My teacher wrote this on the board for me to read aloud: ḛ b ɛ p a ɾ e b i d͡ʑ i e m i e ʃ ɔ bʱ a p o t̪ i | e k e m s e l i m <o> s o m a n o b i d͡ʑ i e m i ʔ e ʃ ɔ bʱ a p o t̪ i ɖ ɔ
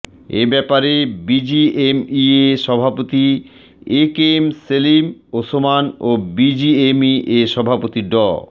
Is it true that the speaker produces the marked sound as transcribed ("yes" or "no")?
yes